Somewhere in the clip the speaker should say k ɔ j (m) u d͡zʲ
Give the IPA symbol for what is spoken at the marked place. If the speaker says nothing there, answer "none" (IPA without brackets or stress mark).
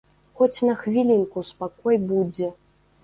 b